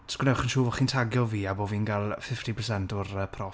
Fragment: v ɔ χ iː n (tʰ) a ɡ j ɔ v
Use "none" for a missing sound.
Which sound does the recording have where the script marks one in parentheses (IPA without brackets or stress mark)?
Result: tʰ